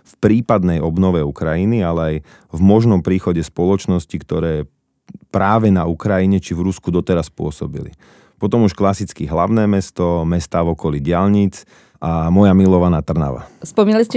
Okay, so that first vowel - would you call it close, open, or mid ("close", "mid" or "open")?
close